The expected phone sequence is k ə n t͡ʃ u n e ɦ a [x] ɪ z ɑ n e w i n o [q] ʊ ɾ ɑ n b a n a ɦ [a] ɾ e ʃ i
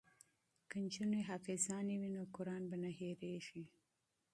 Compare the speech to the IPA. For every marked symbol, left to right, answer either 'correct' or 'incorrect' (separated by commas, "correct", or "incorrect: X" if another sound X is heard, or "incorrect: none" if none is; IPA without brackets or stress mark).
incorrect: f, incorrect: k, incorrect: e